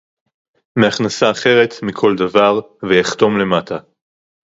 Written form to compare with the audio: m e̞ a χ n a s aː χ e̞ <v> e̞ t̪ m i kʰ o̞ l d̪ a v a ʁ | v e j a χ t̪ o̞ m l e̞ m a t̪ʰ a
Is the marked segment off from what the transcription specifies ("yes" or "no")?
yes